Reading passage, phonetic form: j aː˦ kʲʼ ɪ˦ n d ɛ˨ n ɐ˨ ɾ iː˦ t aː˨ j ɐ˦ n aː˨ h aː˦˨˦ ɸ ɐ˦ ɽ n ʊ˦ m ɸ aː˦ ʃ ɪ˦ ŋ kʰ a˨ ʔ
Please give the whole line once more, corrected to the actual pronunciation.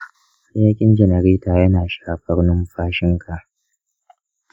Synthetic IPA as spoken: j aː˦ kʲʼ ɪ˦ n d͡ʒ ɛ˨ n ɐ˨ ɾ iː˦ t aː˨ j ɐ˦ n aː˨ ʃ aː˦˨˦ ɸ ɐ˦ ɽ n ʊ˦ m ɸ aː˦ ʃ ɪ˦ ŋ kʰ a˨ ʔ

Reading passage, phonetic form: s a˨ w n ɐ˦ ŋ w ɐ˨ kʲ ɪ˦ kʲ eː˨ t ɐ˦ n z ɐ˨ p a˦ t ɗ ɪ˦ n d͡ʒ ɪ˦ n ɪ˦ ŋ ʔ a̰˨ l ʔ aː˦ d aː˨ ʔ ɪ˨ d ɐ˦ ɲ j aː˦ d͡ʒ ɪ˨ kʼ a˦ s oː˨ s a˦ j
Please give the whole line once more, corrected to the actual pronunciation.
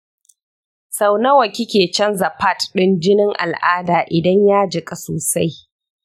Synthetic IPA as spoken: s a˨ w n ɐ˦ w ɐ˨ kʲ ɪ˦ kʲ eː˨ t͡ʃ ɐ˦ n z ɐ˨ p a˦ t ɗ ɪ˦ n d͡ʒ ɪ˦ n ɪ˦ ŋ ʔ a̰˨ l ʔ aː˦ d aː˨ ʔ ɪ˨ d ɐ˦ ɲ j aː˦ d͡ʒ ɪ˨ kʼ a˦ s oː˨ s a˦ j

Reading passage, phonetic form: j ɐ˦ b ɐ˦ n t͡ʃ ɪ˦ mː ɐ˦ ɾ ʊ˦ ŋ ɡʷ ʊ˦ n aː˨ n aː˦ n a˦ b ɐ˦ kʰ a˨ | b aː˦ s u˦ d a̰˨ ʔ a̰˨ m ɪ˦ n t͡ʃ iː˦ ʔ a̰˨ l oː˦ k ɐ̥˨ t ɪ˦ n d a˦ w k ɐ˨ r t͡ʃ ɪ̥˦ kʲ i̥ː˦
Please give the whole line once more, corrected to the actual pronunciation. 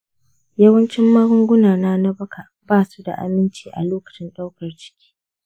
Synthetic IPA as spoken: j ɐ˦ w ɐ˦ n t͡ʃ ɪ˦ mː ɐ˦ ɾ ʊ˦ ŋ ɡʷ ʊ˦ n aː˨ n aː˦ n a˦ b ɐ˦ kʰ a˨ | b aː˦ s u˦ d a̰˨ ʔ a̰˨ m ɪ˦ n t͡ʃ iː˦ ʔ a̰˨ l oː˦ k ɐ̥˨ t͡ʃ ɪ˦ n ɗ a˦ w k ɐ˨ r t͡ʃ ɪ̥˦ kʲ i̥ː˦

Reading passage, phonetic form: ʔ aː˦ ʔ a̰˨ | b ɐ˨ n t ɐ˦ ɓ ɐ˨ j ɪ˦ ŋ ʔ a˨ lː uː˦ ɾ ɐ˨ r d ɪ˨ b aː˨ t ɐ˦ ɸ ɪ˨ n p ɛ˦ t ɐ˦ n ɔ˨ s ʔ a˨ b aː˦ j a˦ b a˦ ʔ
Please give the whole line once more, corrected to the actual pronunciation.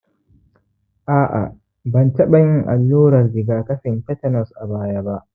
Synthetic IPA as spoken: ʔ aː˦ ʔ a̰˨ | b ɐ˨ n t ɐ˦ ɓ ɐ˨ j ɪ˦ ŋ ʔ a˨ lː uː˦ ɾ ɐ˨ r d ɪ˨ ɡ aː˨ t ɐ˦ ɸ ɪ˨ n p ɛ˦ t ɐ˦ n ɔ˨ s ʔ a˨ b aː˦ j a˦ b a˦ ʔ

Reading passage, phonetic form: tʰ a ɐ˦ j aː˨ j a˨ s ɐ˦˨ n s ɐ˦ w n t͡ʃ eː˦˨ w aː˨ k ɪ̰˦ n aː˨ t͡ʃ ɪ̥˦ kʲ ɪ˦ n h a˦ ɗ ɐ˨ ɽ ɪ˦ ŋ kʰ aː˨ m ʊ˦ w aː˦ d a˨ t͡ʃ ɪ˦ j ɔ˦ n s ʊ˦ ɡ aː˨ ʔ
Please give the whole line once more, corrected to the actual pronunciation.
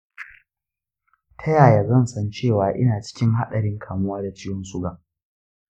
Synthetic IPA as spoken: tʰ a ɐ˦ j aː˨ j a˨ z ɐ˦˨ n s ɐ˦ n t͡ʃ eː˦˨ w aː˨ ʔ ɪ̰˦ n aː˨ t͡ʃ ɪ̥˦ kʲ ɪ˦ ŋ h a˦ ɗ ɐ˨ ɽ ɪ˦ ŋ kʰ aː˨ m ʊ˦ w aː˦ d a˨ t͡ʃ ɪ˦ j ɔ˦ n s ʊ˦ ɡ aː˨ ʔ

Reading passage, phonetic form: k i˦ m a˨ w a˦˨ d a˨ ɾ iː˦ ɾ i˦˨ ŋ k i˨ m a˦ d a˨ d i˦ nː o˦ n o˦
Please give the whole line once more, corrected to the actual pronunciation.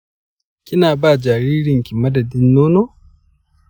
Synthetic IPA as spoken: k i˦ n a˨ b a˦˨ d͡ʒ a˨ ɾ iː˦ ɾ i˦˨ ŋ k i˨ m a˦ d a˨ d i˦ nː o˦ n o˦

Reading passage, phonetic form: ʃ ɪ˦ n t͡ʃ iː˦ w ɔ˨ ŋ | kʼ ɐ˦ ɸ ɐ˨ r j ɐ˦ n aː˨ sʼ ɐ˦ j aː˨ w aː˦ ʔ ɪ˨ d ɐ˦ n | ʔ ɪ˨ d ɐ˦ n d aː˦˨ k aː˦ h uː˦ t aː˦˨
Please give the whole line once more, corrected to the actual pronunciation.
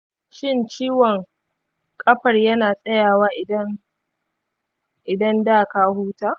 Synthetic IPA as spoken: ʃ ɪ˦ n t͡ʃ iː˦ w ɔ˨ ŋ | kʼ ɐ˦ ɸ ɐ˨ r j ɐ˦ n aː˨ sʼ ɐ˦ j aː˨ w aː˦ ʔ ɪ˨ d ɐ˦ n | ʔ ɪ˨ d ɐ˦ n d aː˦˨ k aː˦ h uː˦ t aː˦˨

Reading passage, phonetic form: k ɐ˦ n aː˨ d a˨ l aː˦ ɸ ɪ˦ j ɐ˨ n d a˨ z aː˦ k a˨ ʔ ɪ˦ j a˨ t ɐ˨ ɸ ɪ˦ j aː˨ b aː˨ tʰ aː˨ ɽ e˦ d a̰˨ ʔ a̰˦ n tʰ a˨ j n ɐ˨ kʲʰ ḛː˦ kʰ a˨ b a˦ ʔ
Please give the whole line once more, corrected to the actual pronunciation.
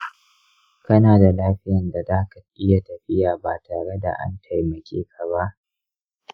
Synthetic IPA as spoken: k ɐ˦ n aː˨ d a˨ l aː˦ ɸ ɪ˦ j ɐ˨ n d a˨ z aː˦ k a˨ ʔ ɪ˦ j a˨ t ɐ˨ ɸ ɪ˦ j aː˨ b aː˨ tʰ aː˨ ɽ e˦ d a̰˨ ʔ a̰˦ n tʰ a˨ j m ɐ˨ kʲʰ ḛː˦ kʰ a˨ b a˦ ʔ

